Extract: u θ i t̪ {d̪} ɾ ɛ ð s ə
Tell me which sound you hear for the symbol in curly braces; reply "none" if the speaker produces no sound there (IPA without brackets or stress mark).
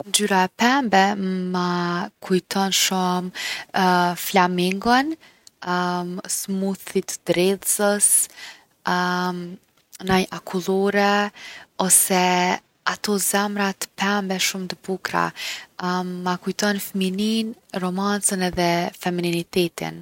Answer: d̪